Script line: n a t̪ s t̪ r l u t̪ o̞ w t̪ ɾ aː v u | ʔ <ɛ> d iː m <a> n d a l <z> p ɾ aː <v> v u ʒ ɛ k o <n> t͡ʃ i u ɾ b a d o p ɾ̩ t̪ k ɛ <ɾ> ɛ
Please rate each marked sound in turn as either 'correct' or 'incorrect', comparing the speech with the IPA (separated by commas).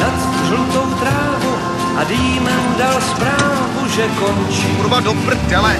incorrect, incorrect, incorrect, correct, correct, incorrect